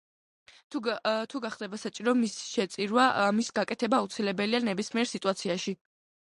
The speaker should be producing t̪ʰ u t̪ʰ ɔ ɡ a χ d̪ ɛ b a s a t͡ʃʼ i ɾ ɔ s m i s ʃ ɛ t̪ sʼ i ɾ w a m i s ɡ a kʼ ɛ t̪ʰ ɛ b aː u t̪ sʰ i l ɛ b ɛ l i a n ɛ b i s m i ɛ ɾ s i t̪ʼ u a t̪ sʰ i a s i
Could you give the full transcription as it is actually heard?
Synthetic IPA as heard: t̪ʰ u t̪ʰ u ɡ a χ d̪ ɛ b a s a t͡ʃʼ i ɾ ɔ m i s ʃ ɛ t̪ sʼ i ɾ w a m i s ɡ a kʼ ɛ t̪ʰ ɛ b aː u t̪ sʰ i l ɛ b ɛ l i a n ɛ b i s m i ɛ ɾ s i t̪ʼ u a t̪ sʰ i a ʃ i